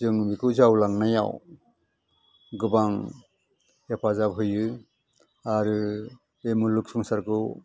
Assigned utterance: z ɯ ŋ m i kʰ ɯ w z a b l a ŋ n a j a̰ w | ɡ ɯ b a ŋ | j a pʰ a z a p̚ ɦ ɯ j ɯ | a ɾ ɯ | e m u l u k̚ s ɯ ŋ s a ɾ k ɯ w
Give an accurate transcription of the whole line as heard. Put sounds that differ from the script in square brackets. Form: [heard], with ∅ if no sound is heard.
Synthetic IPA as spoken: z ɯ ŋ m i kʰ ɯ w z a [w] l a ŋ n a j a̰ w | ɡ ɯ b a ŋ | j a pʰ a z a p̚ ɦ ɯ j ɯ | a ɾ ɯ | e m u l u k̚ s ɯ ŋ s a ɾ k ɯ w

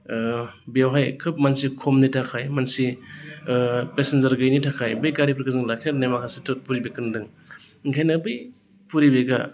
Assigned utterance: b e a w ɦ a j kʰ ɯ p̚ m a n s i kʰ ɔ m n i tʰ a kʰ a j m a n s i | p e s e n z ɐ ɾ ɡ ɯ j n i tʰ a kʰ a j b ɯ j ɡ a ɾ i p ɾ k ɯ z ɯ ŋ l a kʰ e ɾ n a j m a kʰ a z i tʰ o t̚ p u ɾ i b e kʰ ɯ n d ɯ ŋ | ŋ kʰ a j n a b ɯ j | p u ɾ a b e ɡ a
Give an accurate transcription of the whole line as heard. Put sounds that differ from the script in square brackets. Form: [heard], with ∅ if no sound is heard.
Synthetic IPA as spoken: b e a w ɦ a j kʰ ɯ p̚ m a n s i kʰ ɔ m n i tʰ a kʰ a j m a n s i | p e s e n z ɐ ɾ ɡ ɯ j n i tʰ a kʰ a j b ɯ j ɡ a ɾ i p ɾ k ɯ z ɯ ŋ l a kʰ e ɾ n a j m a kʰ a [s] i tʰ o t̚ p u ɾ i b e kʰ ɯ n d ɯ ŋ | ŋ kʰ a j n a b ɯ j | p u ɾ [i] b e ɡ a

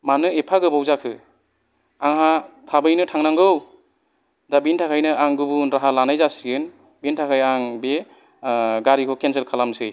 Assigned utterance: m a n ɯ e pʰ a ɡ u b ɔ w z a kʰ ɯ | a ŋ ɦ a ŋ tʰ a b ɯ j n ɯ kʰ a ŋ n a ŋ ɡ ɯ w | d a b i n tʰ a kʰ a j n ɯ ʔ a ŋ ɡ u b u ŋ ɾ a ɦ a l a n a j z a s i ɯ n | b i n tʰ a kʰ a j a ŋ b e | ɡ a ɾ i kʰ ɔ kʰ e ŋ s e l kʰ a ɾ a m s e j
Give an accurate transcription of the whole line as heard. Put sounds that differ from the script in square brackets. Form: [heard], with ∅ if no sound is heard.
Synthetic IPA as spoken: m a n ɯ e pʰ a ɡ [ɯ] b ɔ w z a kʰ ɯ | a ŋ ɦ a [∅] tʰ a b ɯ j n ɯ [tʰ] a ŋ n a ŋ ɡ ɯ w | d a b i n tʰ a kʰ a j n ɯ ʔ a ŋ ɡ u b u [n] ɾ a ɦ a l a n a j z a s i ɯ n | b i n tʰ a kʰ a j a ŋ b e | ɡ a ɾ i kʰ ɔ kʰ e [n] s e l kʰ a [l] a m s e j

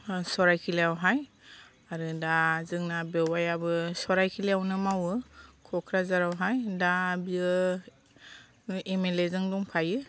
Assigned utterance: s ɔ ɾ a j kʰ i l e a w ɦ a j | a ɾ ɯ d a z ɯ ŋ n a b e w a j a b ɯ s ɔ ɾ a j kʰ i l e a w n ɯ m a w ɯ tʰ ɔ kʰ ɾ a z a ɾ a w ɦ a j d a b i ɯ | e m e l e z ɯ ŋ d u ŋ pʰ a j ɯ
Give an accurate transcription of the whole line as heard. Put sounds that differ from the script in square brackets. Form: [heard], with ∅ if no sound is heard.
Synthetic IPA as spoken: s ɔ ɾ a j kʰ i l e a w ɦ a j | a ɾ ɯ d a z ɯ ŋ n a b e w a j a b ɯ s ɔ ɾ a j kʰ i l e a w n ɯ m a w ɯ [kʰ] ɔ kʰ ɾ a z a ɾ a w ɦ a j d a b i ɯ | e m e l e z ɯ ŋ d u ŋ pʰ a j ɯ

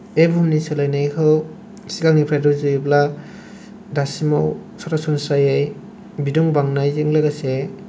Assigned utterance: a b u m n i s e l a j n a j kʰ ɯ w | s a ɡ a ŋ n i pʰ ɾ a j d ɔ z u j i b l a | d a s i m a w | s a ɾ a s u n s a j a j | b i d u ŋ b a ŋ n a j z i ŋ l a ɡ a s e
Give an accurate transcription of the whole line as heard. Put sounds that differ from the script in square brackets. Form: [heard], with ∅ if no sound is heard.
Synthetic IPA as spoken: [e] b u m n i s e l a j n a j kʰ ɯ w | s [i] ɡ a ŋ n i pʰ ɾ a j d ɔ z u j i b l a | d a s i m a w | s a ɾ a s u n s a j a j | b i d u ŋ b a ŋ n a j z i ŋ l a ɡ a s e

